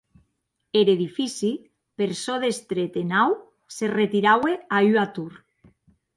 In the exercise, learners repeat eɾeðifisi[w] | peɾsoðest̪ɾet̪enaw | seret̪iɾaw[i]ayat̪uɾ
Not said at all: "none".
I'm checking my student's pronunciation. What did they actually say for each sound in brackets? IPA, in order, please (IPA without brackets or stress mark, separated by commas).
none, e